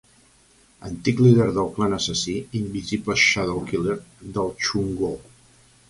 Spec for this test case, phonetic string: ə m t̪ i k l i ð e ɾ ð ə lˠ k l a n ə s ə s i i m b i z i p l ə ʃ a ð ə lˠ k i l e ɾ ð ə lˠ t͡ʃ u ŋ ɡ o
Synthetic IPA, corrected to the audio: ə n t̪ i k l i ð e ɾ ð ə lˠ k l a n ə s ə s i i m b i z i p l ə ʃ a ð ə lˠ k i l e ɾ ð ə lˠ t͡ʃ u ŋ ɡ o

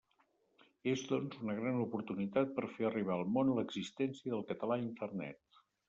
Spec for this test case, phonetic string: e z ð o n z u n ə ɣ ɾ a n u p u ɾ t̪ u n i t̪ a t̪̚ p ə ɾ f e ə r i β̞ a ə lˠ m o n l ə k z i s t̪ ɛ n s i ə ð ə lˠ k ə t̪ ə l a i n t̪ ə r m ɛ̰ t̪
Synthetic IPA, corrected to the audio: e z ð ɔ n z u n ə ɣ ɾ a n u p u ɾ t̪ u n i t̪ a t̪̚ p ə ɾ f e ə r i β̞ a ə lˠ m o n l ə ɡ z i s t̪ ɛ n s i ə ð ə lˠ k ə t̪ ə l a i n t̪ ə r n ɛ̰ t̪

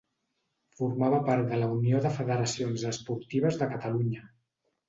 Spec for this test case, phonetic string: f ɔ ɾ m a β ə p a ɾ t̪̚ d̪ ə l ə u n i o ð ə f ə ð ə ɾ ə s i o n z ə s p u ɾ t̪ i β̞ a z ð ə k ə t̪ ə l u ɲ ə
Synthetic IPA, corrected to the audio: f u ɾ m a β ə p a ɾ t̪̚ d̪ ə l ə u n i o ð ə f ə ð ə ɾ ə s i o n z ə s p u ɾ t̪ i β̞ ə z ð ə k ə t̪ ə l u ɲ ə

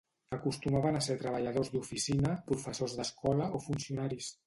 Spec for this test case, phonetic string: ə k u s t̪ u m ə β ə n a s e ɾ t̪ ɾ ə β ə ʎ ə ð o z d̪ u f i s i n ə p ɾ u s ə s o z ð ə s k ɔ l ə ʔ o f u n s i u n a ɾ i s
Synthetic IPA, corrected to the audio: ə k u s t̪ u m a β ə n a s e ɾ t̪ ɾ ə β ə ʎ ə ð o z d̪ u f i s i n ə p ɾ u f ə s o z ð ə s k ɔ l ə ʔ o f u n s i u n a ɾ i s

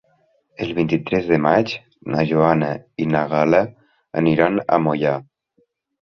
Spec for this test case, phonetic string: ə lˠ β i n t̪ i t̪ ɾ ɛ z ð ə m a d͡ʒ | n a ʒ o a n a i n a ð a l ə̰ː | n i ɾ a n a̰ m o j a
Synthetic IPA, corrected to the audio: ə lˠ β i n t̪ i t̪ ɾ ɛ z ð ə m a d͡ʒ | n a ʒ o a n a i n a ɣ a l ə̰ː | n i ɾ a n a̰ m o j a

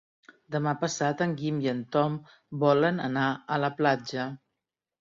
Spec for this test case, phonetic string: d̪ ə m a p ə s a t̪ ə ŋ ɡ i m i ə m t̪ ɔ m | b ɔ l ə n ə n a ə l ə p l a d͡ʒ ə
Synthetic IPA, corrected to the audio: d̪ ə m a p ə s a t̪ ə ŋ ɡ i m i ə n t̪ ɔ m | b ɔ l ə n ə n a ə l ə p l a d͡ʒ ə

